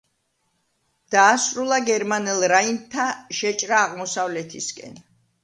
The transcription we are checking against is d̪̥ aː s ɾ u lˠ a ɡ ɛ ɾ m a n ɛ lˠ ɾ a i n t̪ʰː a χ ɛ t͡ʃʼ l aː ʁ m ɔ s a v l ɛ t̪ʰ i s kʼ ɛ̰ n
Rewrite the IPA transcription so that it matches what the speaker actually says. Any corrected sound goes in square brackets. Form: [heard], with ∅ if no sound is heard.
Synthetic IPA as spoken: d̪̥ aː s ɾ u lˠ a ɡ ɛ ɾ m a n ɛ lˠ ɾ a i n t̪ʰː a [ʃ] ɛ t͡ʃʼ [ɾ] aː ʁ m ɔ s a v l ɛ t̪ʰ i s kʼ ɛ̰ n